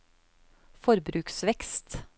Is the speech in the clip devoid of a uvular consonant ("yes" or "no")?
yes